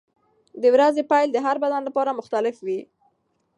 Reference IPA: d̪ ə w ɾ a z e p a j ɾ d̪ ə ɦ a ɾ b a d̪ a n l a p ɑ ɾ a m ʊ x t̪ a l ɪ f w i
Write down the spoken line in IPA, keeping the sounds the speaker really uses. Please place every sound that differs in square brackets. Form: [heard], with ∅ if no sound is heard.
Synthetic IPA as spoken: d̪ ə w ɾ a z e p a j [l] d̪ ə ɦ a ɾ b a d̪ a n l a p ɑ ɾ a m ʊ x t̪ a l ɪ f w i